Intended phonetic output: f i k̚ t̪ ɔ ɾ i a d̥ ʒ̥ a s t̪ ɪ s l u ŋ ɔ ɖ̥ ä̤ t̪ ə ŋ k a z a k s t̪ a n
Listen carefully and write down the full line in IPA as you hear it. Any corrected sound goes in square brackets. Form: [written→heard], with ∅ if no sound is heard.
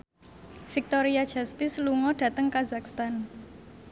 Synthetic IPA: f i k̚ t̪ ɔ ɾ i a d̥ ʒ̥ a s t̪ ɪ s l u ŋ ɔ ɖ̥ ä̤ t̪ ə ŋ k a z a k s t̪ a n